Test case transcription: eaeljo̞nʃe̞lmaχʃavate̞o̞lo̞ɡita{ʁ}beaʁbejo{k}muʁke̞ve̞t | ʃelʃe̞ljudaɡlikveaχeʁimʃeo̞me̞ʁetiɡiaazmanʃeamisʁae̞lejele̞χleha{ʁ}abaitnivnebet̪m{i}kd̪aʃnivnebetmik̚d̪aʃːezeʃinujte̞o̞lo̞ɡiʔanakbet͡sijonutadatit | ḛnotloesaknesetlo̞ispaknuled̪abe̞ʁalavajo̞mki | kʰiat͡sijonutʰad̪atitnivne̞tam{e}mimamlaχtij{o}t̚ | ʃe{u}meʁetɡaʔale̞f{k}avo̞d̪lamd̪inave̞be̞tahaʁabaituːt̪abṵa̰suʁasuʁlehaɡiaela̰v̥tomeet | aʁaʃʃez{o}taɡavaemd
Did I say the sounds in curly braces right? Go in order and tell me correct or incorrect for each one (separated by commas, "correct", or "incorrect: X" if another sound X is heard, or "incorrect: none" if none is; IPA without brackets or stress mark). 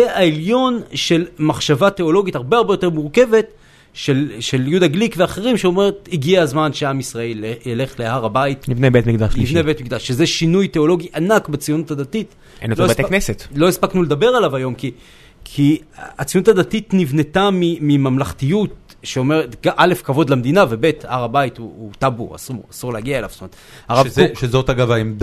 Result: correct, incorrect: t, correct, correct, incorrect: i, incorrect: u, incorrect: o, correct, correct